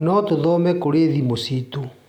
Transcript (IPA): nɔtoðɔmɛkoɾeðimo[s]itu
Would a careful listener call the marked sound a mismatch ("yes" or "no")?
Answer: no